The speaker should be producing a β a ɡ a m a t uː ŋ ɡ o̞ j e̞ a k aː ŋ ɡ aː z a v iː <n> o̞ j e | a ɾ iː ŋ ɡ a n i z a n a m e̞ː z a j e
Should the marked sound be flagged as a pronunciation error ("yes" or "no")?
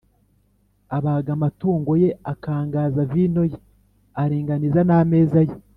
no